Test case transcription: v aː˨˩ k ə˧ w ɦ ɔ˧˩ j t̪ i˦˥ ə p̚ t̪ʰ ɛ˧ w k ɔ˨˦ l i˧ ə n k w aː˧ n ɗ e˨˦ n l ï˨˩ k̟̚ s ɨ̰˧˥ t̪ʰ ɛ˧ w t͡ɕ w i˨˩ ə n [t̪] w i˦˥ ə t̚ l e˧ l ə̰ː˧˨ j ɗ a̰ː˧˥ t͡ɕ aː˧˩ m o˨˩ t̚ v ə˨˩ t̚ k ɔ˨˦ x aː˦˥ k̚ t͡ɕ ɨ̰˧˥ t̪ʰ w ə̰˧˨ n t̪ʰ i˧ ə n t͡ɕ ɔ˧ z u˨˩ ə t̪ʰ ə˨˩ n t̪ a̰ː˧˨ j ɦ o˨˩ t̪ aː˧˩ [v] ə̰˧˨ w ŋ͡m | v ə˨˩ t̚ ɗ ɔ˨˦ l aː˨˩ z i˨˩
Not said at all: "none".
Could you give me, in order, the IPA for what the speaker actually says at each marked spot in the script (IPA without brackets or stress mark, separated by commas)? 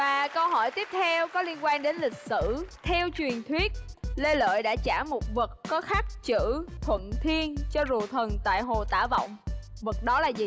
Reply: t̪ʰ, v